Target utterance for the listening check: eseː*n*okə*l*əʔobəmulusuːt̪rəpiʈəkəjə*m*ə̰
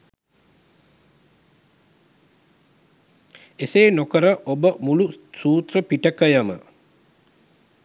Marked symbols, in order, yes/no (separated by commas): yes, no, yes